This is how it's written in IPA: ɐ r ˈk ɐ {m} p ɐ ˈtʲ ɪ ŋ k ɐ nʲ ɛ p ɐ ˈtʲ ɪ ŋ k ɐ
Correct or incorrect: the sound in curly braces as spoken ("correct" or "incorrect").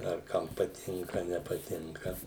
correct